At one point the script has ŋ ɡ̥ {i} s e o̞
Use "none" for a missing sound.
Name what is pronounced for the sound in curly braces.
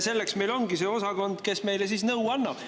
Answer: i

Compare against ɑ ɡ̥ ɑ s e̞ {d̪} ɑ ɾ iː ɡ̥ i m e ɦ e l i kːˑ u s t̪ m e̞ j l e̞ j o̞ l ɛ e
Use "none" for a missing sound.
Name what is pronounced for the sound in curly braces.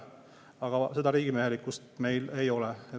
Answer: d̪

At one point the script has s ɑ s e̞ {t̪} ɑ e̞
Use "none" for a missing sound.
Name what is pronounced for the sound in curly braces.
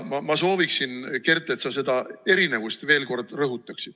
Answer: d̪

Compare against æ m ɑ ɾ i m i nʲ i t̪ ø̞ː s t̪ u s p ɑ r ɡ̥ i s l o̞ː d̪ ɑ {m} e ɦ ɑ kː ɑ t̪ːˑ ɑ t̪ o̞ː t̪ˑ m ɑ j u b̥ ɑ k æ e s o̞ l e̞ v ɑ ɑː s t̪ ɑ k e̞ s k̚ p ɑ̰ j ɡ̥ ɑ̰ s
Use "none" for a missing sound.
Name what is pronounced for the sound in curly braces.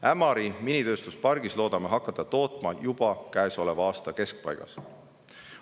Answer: m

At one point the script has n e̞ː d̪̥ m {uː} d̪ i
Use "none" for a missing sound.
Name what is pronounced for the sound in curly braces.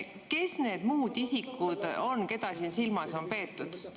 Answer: uː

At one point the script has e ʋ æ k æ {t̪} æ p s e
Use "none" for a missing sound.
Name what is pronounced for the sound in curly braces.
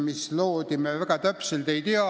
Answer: t̪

